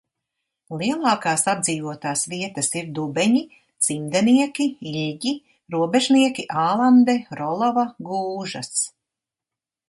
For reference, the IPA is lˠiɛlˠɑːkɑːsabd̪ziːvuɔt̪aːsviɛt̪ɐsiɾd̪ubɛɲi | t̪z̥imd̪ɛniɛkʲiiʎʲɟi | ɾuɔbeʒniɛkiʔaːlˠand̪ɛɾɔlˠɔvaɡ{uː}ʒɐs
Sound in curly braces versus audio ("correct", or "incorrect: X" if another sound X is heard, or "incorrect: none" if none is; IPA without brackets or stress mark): correct